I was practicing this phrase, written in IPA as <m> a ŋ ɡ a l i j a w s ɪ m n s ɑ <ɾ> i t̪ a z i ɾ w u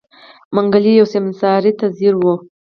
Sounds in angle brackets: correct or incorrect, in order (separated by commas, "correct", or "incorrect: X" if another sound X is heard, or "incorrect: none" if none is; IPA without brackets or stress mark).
correct, correct